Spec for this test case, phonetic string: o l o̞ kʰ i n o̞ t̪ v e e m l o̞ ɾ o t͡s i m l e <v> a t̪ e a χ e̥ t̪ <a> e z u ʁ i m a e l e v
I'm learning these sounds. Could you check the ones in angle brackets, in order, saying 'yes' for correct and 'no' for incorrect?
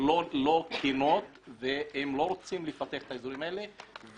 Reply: no, yes

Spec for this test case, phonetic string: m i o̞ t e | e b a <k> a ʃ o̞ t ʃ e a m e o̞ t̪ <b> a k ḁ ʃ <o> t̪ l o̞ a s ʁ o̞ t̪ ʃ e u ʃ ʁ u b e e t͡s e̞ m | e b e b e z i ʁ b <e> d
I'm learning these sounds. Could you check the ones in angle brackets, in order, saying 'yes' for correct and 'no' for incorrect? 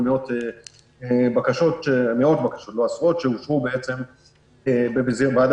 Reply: yes, yes, yes, no

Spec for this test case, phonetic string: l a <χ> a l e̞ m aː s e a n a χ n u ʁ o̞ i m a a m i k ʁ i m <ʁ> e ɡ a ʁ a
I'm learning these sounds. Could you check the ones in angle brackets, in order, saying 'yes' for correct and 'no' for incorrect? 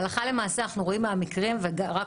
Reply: yes, no

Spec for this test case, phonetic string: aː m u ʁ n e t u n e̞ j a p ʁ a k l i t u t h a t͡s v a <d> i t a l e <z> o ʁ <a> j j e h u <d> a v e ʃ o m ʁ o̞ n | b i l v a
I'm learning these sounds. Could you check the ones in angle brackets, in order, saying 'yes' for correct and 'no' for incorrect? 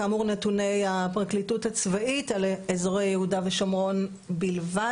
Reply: no, yes, no, yes

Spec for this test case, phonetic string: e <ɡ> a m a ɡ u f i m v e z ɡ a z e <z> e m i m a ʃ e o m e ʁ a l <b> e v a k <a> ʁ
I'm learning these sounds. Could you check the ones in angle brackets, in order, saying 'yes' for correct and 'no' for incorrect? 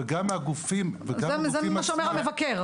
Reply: yes, yes, no, no

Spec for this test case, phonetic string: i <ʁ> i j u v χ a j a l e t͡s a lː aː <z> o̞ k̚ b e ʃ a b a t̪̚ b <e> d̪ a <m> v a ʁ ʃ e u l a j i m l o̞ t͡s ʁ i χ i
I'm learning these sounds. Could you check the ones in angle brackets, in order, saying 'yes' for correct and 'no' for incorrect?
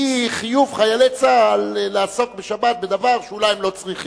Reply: no, no, yes, no

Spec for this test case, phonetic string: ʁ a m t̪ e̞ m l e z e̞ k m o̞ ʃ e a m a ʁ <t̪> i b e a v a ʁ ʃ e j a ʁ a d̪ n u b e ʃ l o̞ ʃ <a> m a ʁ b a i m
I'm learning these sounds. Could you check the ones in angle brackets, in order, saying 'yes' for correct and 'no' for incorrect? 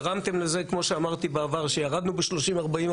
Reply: yes, no

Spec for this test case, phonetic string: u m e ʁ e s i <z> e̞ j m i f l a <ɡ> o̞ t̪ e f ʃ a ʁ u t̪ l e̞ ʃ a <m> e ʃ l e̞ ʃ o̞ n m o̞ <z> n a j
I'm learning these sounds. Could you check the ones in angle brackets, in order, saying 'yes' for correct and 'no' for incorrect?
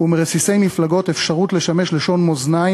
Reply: no, yes, yes, yes

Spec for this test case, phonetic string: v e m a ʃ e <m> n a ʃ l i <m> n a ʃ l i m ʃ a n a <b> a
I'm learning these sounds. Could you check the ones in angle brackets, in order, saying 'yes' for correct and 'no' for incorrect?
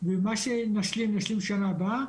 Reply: no, yes, yes

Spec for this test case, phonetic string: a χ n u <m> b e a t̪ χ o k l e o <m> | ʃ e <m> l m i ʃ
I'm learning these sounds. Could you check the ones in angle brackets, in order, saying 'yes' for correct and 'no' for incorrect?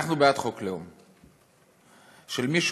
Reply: no, yes, no

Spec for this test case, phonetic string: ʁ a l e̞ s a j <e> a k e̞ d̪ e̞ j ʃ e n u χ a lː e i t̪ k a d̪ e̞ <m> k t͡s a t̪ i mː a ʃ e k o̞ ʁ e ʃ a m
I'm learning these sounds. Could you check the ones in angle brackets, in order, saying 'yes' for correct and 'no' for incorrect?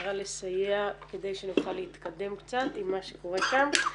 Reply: yes, yes

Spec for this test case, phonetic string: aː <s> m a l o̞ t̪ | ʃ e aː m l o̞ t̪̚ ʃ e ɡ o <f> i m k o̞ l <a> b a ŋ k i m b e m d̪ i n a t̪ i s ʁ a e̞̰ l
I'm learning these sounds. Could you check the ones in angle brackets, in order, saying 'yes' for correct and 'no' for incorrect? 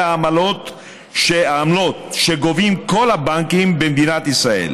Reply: no, no, yes

